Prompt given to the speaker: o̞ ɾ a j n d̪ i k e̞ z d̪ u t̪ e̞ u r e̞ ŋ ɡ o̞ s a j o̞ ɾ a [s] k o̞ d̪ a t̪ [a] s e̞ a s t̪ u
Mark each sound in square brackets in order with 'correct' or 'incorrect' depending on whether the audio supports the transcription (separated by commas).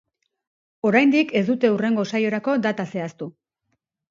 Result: incorrect, correct